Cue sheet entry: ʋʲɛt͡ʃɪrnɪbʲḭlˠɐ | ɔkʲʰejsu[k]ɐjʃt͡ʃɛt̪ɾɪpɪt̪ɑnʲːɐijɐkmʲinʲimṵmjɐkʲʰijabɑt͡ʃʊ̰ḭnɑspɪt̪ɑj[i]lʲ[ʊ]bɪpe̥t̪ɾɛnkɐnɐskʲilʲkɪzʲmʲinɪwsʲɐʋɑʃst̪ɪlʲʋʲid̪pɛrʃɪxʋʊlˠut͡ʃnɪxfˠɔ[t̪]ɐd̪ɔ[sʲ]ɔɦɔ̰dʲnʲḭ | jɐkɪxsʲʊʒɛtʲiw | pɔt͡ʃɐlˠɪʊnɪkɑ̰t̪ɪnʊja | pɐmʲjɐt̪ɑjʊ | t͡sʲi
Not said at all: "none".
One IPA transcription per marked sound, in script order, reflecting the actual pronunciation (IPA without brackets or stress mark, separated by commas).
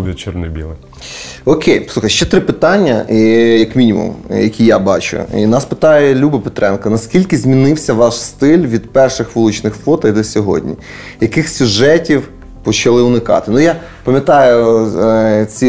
x, ɛ, u, t̪, sʲ